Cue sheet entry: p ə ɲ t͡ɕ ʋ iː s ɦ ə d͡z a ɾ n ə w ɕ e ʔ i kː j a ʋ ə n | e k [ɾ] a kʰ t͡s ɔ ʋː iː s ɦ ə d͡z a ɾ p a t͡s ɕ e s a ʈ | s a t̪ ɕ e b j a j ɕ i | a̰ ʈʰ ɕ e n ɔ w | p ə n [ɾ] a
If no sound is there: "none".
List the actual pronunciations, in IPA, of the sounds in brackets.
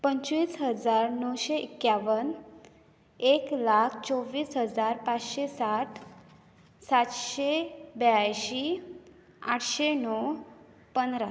l, ɾ

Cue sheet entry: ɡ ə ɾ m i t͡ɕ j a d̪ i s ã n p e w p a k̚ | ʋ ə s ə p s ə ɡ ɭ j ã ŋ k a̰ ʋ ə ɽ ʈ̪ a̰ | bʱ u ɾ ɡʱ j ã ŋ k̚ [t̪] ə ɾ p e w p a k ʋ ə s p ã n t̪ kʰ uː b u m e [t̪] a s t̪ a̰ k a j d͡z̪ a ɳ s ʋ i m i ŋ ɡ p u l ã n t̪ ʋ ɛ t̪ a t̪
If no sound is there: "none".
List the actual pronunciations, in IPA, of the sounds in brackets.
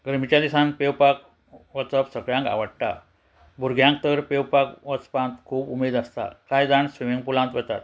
t̪, d̪

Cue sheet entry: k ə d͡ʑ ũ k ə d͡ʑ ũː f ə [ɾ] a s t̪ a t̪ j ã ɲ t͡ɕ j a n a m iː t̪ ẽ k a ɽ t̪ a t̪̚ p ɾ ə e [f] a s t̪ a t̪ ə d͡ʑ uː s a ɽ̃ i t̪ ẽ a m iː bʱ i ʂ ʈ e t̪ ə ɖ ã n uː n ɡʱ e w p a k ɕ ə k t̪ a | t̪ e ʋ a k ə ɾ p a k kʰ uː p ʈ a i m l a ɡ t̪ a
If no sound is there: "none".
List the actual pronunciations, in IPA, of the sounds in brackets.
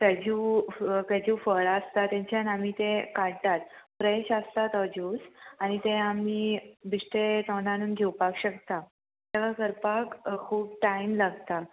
ɭ, ɕ

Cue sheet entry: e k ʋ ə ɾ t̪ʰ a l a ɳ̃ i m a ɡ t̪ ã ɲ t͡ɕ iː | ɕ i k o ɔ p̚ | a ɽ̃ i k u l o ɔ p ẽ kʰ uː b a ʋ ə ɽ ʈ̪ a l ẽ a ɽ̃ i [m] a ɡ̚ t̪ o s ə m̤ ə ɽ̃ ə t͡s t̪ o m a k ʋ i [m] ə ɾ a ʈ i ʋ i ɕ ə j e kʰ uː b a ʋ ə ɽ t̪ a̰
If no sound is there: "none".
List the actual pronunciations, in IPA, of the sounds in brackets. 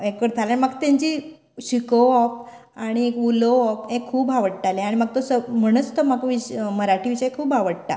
m, m

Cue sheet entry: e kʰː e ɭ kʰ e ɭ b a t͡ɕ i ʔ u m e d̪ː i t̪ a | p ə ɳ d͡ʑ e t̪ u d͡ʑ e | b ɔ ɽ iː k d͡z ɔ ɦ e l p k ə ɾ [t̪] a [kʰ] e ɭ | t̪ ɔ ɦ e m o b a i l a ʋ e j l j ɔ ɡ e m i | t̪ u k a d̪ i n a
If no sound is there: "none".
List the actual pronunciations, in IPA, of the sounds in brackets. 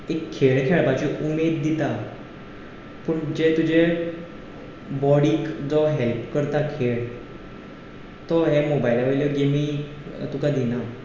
t̪, kʰ

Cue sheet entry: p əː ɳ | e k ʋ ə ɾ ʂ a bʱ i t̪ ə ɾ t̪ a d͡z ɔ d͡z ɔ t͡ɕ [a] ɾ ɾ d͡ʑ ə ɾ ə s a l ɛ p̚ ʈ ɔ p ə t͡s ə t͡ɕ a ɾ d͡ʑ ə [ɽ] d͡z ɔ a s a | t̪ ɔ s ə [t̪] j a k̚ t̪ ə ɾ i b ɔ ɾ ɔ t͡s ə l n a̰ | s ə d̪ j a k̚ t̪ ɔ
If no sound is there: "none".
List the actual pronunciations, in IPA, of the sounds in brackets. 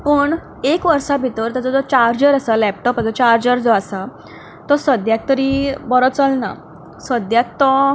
a, ɾ, d̪

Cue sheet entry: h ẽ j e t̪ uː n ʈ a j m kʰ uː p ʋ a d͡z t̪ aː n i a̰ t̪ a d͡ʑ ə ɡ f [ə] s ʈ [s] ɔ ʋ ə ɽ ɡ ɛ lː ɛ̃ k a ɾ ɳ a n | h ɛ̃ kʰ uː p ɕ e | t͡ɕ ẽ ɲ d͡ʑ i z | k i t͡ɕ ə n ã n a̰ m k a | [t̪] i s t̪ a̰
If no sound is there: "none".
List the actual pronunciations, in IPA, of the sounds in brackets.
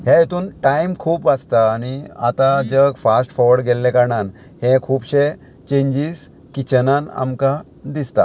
a, f, d̪

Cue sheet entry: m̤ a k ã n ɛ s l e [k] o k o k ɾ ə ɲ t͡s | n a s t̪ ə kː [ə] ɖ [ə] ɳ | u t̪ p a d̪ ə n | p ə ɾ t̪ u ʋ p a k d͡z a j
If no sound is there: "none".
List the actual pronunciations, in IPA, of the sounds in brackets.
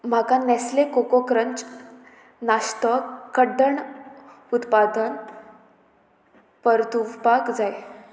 k, ə, ə

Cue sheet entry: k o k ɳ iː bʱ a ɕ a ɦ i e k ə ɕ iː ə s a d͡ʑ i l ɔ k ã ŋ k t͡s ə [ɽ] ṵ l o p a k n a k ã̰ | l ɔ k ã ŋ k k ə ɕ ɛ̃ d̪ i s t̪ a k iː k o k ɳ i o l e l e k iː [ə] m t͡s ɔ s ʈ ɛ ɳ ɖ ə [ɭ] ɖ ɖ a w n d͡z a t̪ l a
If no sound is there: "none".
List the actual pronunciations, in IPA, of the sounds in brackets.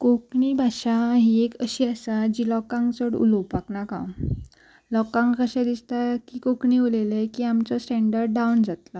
ɽ, a, ɾ

